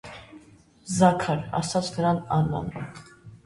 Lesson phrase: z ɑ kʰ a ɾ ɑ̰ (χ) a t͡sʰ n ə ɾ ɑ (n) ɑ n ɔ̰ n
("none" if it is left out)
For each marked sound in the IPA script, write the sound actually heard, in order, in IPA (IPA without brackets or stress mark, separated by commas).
s, n